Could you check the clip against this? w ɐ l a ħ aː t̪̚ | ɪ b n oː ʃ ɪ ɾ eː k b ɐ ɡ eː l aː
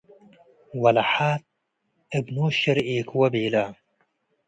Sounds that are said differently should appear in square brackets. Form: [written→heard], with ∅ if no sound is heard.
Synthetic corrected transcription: w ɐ l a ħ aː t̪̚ | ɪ b n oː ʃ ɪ ɾ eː k [b→w] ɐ [ɡ→b] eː l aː